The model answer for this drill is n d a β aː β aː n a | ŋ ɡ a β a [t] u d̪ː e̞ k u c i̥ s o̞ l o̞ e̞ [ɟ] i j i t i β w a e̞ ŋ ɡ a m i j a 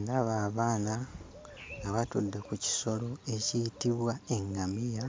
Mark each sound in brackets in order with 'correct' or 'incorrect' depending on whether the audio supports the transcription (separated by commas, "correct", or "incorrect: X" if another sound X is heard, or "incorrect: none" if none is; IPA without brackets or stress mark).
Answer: correct, incorrect: c